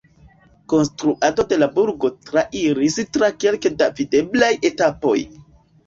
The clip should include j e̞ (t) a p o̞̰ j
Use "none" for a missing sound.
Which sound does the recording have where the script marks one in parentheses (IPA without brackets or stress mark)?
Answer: t